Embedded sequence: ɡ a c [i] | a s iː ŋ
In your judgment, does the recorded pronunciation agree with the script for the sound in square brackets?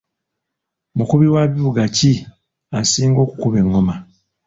yes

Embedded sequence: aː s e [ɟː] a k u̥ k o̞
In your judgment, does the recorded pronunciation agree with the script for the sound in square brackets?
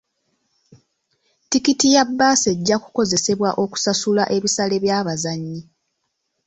yes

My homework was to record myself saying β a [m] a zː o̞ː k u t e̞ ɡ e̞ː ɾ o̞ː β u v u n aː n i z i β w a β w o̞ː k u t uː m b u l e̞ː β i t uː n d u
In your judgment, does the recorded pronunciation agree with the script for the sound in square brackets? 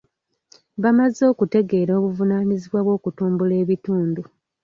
yes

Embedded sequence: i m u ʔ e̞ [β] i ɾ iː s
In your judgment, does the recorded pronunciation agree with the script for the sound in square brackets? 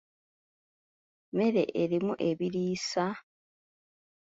yes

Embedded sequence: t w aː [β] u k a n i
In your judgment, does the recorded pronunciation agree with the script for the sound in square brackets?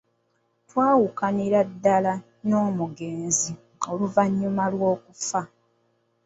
no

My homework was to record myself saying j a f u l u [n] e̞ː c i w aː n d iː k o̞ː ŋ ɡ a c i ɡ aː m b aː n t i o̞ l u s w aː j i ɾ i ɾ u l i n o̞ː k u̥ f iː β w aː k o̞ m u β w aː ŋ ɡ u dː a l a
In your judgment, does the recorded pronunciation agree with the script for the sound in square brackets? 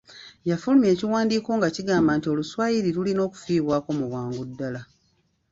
no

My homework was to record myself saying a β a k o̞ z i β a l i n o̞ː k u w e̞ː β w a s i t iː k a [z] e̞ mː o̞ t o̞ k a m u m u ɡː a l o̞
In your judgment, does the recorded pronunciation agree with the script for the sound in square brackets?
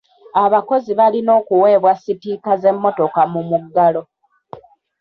yes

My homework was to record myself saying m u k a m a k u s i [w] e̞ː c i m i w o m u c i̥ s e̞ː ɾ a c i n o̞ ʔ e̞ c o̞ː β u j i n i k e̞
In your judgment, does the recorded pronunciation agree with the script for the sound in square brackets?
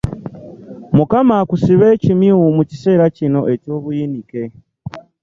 no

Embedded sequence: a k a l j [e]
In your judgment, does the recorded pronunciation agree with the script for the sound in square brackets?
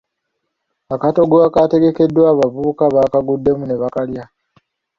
no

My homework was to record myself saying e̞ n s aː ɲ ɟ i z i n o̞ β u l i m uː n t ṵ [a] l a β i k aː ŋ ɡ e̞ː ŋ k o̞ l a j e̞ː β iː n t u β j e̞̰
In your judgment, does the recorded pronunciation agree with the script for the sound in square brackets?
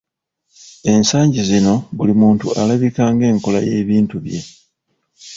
yes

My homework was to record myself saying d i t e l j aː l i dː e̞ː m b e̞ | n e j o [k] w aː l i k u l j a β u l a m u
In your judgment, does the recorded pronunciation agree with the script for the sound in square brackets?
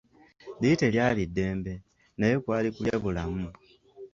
yes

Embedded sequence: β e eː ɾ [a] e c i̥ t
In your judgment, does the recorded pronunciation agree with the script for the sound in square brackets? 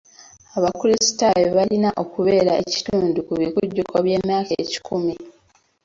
yes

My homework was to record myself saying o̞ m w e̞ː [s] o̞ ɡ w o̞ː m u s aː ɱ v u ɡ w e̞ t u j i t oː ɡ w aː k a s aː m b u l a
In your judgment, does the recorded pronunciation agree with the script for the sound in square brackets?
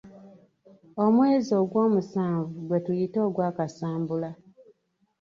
no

